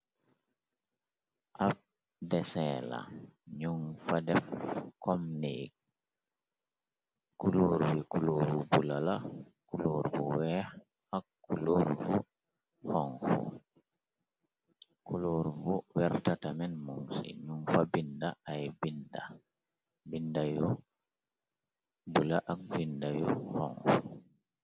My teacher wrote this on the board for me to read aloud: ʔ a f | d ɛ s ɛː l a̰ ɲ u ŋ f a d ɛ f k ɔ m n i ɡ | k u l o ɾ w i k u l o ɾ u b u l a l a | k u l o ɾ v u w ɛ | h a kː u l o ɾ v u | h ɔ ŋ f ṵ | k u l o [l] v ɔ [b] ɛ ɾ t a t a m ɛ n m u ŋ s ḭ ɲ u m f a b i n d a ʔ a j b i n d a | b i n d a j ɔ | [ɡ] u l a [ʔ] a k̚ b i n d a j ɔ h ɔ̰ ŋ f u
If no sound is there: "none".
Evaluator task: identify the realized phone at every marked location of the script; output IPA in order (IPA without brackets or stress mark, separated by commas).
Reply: ɾ, w, b, ʔ